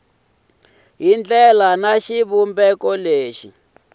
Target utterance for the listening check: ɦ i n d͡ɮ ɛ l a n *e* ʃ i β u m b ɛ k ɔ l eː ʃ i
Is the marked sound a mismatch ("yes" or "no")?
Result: yes